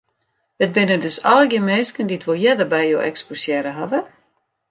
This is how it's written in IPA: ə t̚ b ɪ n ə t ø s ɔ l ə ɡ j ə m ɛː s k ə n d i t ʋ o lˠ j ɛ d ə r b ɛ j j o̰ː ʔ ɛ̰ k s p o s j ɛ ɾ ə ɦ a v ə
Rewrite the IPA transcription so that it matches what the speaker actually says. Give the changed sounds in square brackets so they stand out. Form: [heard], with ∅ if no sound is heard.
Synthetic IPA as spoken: ə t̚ b ɪ n ə [d] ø s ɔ l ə ɡ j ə m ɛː s k ə n d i t ʋ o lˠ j ɛ d ə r b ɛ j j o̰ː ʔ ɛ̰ k s p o s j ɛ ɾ ə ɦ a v ə